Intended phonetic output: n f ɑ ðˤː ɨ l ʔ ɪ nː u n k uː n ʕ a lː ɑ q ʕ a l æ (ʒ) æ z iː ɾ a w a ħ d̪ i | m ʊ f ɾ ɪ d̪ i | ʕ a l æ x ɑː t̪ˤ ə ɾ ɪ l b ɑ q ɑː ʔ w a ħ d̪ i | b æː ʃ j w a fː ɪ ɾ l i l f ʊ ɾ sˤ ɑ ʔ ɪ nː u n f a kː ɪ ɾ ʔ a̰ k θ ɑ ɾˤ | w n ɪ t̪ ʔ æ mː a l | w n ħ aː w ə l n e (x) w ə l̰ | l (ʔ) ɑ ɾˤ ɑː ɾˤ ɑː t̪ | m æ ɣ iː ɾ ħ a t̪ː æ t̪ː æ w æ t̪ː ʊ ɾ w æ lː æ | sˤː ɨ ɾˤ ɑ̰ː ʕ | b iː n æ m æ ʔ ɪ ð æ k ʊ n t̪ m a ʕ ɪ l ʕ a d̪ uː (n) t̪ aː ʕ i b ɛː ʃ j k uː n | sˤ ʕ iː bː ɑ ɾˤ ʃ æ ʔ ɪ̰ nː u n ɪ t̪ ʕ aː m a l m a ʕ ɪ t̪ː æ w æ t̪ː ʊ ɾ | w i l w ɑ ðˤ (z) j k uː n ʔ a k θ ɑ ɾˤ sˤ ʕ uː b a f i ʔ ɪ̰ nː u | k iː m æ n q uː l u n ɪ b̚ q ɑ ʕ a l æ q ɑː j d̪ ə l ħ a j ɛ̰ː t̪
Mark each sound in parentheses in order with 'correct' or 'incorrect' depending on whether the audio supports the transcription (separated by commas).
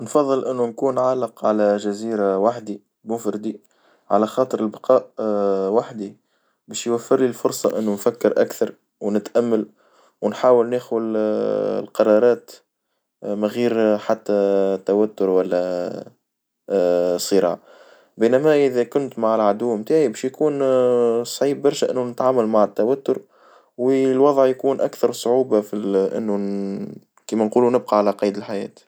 correct, correct, incorrect, incorrect, incorrect